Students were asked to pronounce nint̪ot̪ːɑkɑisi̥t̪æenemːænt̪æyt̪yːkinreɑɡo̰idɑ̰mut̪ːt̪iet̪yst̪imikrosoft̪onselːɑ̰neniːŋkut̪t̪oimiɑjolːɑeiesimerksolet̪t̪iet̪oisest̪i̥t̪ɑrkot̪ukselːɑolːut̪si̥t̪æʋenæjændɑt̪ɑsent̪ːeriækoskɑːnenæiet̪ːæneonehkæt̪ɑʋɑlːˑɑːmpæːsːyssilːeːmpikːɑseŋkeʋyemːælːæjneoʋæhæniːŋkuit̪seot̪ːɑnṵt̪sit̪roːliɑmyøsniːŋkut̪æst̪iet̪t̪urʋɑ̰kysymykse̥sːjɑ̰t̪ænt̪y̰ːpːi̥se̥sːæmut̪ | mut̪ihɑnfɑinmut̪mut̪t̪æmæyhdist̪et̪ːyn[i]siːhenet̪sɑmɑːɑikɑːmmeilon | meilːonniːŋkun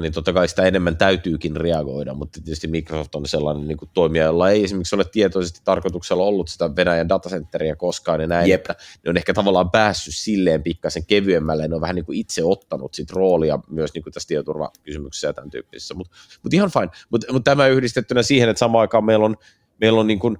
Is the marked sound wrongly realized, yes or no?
yes